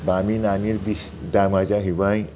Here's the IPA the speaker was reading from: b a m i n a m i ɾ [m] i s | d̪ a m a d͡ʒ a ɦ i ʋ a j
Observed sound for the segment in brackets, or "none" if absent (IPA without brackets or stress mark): b